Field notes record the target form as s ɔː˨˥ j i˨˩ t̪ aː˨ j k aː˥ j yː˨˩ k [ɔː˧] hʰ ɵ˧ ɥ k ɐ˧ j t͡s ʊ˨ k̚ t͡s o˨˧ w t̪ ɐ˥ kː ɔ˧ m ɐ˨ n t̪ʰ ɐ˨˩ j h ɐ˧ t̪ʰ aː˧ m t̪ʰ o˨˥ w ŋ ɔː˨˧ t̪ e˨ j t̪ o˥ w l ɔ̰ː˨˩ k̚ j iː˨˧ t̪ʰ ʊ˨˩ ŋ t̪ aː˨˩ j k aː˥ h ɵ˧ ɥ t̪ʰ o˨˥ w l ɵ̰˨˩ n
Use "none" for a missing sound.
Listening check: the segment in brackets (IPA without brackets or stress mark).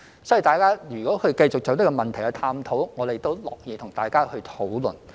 ɔː˨˥